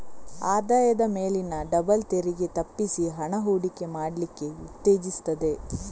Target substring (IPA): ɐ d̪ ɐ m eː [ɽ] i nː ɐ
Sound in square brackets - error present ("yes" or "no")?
yes